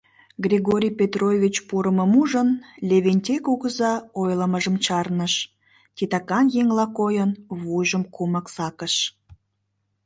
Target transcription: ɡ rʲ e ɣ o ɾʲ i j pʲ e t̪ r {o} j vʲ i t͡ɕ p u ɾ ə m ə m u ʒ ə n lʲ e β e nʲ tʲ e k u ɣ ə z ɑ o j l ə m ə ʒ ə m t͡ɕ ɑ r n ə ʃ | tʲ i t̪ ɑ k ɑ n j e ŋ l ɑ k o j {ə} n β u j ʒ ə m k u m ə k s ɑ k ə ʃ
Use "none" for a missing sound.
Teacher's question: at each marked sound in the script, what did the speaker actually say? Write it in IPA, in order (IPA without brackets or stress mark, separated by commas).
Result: o, ə